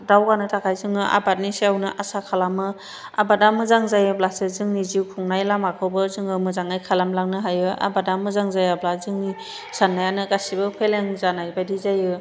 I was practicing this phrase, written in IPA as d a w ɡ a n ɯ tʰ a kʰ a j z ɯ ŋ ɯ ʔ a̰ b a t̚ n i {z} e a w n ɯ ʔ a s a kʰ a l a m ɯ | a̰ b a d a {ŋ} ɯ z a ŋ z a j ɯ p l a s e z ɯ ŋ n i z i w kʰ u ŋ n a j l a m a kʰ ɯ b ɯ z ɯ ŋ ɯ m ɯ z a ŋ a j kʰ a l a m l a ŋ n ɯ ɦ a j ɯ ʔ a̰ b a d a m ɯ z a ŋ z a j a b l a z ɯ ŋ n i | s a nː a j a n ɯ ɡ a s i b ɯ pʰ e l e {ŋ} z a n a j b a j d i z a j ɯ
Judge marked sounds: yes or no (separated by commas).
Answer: no, no, yes